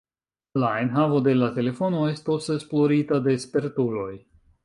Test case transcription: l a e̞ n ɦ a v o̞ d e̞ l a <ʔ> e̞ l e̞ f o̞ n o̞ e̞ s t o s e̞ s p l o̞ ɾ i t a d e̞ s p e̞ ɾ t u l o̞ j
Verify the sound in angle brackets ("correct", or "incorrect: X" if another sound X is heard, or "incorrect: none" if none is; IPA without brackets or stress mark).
incorrect: t